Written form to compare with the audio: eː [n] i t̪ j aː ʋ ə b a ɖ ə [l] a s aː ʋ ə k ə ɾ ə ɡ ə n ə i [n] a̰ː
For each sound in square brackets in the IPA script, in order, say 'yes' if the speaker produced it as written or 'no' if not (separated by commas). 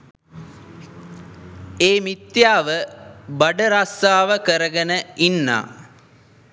no, no, no